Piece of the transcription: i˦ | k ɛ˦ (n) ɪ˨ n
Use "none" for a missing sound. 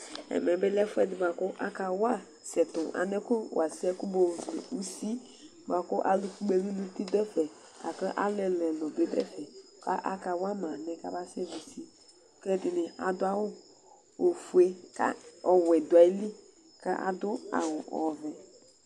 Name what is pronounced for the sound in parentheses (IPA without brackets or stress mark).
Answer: d